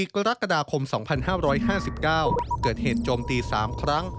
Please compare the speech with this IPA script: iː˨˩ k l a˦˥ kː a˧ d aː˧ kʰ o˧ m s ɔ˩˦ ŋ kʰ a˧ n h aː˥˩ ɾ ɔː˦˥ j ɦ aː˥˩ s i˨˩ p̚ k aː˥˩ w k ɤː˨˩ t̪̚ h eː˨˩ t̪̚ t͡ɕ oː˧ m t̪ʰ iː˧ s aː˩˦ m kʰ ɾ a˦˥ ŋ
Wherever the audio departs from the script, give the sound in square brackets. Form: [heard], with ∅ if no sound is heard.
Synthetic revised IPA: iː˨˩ k [ɾ] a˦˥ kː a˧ d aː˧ kʰ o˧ m s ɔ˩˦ ŋ [pʰ] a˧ n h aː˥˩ ɾ ɔː˦˥ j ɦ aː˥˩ s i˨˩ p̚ k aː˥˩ w k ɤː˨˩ t̪̚ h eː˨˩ t̪̚ t͡ɕ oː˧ m [t̪] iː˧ s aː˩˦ m kʰ ɾ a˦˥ ŋ